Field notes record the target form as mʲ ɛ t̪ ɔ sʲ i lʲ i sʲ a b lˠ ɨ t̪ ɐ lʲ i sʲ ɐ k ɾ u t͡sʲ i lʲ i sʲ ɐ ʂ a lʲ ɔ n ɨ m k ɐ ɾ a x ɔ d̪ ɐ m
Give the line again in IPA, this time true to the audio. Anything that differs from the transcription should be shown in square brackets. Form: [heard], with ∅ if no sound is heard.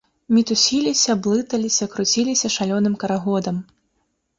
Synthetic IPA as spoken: mʲ [i] t̪ [u] sʲ i lʲ i sʲ [ɐ] b lˠ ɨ t̪ ɐ lʲ i sʲ ɐ k ɾ u t͡sʲ i lʲ i sʲ ɐ ʂ a lʲ ɔ n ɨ m k ɐ ɾ a [ɣ] ɔ d̪ ɐ m